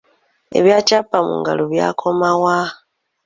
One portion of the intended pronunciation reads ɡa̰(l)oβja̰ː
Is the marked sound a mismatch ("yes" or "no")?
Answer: no